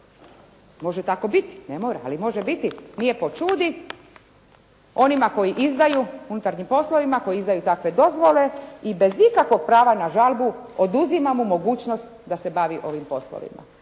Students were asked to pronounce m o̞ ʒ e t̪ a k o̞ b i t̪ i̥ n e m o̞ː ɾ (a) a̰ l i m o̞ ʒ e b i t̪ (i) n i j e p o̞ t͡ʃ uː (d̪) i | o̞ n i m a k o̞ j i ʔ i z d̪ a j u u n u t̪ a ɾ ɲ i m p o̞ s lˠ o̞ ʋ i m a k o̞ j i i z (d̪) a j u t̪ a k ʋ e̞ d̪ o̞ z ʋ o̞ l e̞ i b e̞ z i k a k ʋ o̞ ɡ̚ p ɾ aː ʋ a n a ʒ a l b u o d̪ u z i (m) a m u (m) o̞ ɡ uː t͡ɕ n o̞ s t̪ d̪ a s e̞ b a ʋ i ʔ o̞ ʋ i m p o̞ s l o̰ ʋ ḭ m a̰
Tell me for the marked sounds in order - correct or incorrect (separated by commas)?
correct, correct, correct, correct, correct, correct